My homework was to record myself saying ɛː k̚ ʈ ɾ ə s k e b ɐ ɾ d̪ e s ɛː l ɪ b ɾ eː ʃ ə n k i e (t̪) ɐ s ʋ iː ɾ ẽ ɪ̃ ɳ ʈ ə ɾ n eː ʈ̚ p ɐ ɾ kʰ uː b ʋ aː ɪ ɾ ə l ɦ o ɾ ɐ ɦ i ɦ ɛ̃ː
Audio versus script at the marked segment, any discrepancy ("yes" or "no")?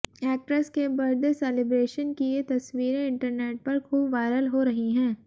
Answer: no